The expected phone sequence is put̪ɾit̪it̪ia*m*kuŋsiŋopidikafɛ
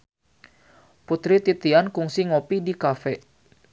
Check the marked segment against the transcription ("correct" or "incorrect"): incorrect